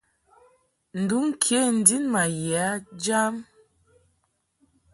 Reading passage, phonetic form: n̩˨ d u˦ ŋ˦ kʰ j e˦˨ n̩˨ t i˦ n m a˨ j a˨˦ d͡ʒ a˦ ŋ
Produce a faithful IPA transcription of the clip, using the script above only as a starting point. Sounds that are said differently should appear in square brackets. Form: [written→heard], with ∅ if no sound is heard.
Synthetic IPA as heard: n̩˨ d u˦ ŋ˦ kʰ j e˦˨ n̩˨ [t→d] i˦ n m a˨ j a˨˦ d͡ʒ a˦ [ŋ→m]